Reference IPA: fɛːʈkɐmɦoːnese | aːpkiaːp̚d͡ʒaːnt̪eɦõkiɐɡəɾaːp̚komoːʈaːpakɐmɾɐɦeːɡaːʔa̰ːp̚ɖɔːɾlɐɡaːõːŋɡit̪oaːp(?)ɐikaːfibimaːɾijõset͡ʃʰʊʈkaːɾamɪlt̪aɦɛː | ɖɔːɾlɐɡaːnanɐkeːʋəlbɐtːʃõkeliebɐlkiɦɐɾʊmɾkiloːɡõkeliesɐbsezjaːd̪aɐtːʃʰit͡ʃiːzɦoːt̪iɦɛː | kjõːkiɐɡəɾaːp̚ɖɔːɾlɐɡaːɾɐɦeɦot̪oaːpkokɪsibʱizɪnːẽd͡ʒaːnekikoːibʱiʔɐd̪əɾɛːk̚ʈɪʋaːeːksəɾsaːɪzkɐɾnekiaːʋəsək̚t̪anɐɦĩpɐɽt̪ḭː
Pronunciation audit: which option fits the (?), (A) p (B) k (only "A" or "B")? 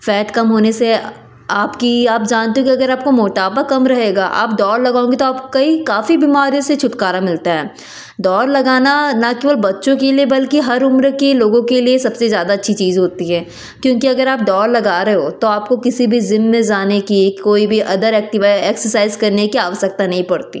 B